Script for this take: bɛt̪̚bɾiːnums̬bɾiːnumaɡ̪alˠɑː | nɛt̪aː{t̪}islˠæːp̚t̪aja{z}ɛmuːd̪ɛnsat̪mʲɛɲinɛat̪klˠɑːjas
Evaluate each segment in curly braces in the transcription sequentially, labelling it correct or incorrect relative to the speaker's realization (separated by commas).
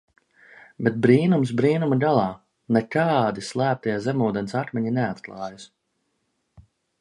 incorrect, correct